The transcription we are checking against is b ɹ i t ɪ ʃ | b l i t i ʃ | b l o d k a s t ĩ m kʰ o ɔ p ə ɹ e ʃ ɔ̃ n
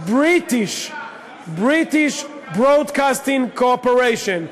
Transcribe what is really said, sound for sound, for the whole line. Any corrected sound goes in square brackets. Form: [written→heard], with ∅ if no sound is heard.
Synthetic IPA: b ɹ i t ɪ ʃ | b [l→ɹ] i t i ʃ | b [l→ɹ] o d k a s t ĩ [m→ŋ] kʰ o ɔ p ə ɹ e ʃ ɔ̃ n